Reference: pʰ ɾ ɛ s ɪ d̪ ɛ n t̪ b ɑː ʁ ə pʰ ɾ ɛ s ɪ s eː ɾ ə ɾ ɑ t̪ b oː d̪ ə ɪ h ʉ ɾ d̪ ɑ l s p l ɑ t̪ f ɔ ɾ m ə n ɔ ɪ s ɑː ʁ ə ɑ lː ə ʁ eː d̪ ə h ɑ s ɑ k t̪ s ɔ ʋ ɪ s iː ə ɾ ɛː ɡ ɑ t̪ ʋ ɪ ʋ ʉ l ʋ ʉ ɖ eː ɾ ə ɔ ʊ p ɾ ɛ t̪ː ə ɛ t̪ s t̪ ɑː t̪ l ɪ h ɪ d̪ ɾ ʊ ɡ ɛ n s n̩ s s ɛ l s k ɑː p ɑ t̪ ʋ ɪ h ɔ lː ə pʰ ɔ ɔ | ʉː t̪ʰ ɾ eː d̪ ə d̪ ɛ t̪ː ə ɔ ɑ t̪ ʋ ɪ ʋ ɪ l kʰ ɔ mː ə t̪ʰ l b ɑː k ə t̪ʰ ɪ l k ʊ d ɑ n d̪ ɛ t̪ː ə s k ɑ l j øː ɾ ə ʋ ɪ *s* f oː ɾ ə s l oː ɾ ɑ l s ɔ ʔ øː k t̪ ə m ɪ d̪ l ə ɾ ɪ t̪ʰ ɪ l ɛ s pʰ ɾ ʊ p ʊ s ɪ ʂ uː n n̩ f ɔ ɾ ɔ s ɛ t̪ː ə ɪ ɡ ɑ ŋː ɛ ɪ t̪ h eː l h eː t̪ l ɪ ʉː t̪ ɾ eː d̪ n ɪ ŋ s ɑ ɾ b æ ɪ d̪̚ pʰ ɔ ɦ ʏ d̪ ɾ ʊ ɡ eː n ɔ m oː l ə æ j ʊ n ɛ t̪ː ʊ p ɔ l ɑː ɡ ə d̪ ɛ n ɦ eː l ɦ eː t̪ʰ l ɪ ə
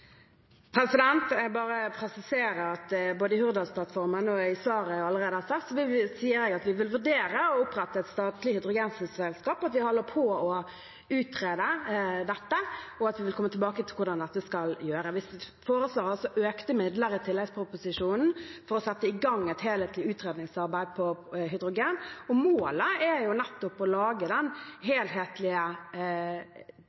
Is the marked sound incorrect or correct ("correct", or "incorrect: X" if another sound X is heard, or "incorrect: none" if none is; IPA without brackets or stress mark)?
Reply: correct